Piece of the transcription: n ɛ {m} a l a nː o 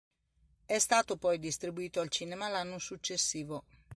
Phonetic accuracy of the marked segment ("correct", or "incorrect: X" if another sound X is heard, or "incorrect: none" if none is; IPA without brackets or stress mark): correct